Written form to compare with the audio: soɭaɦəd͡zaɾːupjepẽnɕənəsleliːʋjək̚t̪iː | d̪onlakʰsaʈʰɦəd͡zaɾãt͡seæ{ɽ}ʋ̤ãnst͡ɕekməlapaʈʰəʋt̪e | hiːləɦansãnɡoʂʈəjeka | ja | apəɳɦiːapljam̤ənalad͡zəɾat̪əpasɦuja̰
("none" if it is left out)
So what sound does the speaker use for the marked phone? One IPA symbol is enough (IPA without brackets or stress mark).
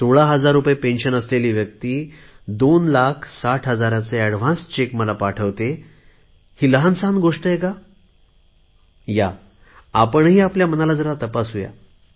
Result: ɽ